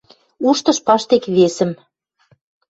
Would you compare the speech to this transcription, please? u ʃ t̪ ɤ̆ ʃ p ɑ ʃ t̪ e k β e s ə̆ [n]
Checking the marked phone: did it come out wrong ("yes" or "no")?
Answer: yes